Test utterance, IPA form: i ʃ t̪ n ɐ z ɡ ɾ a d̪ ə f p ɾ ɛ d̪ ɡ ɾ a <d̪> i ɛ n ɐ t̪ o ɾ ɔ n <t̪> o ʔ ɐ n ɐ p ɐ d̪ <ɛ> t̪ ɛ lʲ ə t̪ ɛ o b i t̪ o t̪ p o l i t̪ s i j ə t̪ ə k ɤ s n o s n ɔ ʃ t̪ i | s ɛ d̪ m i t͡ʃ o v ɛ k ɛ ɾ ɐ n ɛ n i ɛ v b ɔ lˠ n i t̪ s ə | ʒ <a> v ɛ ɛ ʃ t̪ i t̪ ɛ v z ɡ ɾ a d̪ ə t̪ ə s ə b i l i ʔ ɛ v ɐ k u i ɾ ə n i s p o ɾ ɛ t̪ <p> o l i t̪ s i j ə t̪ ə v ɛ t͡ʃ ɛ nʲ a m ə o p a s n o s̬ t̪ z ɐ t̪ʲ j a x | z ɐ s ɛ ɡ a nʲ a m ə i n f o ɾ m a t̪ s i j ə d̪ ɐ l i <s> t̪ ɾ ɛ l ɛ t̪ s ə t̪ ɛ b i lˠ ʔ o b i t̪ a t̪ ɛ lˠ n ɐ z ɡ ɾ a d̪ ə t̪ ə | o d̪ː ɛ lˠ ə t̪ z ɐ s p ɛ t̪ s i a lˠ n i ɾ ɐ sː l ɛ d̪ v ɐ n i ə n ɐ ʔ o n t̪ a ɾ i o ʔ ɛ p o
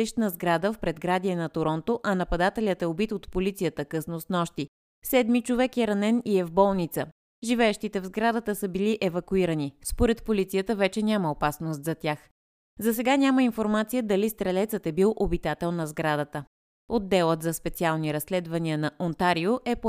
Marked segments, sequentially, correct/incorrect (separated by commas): correct, correct, incorrect, incorrect, correct, correct